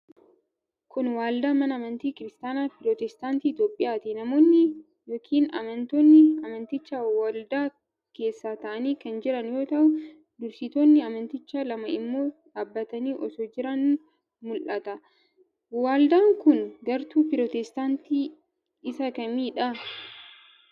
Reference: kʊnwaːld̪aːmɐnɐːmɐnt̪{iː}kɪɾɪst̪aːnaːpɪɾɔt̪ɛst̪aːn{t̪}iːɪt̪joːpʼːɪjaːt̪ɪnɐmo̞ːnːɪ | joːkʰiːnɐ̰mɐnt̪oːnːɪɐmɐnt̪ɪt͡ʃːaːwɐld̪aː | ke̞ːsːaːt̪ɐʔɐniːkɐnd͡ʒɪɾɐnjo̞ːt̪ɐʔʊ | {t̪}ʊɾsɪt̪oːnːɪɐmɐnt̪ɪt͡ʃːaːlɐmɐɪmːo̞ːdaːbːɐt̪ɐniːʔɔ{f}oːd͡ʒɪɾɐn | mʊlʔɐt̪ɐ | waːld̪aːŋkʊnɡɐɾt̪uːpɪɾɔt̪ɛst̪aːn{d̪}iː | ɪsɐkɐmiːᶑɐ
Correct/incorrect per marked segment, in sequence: correct, correct, incorrect: d̪, incorrect: s, incorrect: t̪

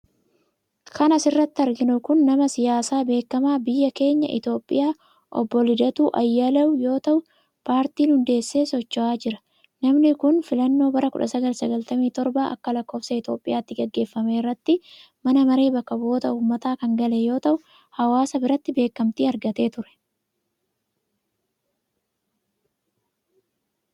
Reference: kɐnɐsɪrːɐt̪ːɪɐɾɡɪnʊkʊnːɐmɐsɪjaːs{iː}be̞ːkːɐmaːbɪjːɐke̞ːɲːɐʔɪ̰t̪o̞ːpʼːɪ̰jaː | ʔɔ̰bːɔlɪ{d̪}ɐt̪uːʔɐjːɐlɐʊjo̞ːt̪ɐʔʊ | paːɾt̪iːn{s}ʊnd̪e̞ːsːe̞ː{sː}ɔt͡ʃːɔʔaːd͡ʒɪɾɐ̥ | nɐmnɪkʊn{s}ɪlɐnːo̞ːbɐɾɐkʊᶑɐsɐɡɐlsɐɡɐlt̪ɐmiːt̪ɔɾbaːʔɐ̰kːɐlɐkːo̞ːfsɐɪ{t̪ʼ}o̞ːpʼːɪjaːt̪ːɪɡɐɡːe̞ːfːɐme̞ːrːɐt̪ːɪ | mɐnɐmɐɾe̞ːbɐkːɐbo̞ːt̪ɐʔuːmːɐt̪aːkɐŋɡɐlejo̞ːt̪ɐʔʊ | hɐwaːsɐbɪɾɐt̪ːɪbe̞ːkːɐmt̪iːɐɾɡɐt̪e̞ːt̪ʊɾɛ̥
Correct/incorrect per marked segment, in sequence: incorrect: aː, correct, incorrect: h, incorrect: s, incorrect: f, incorrect: t̪

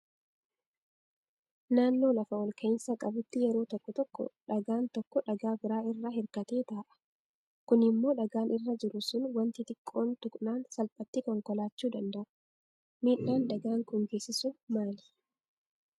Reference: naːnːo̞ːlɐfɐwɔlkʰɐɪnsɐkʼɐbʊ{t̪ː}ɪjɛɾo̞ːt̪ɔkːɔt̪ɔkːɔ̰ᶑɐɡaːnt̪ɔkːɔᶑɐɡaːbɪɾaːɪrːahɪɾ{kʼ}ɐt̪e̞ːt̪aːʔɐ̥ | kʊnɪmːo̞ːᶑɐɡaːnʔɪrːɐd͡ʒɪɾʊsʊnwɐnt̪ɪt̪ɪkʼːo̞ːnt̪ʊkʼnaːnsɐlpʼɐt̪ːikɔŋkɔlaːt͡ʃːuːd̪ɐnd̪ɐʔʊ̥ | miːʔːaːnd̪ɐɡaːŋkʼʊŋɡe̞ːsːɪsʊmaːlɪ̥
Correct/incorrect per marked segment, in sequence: correct, incorrect: k

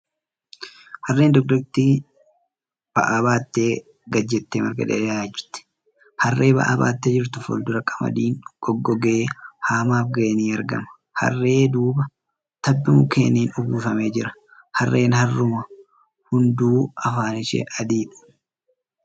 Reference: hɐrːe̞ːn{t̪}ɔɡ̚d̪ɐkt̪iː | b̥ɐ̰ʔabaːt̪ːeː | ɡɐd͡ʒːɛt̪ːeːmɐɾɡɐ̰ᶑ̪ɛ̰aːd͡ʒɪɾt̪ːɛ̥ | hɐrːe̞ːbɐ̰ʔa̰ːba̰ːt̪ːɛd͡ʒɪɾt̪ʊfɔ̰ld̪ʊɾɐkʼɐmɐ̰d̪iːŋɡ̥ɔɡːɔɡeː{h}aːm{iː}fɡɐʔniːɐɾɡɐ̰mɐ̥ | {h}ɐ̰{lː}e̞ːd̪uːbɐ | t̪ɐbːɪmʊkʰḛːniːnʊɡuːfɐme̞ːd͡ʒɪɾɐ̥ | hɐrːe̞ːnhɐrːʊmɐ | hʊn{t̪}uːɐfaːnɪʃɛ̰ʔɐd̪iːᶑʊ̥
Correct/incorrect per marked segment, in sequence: incorrect: d̪, correct, incorrect: aː, correct, incorrect: rː, incorrect: d̪

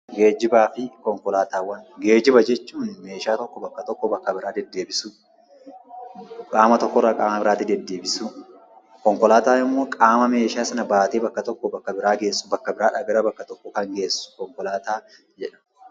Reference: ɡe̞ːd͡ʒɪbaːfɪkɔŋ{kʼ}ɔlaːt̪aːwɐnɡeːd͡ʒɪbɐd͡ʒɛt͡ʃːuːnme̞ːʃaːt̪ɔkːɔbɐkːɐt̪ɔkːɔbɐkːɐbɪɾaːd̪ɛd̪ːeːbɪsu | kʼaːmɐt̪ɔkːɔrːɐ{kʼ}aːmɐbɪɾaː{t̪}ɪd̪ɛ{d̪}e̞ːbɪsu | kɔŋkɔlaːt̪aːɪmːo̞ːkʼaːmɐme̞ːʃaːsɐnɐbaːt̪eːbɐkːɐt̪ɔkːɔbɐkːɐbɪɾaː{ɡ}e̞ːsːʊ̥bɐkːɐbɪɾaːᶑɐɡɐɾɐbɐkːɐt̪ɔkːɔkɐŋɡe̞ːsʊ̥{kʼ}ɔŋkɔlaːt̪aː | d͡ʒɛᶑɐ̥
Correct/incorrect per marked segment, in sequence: incorrect: k, correct, correct, incorrect: d̪ː, correct, incorrect: k

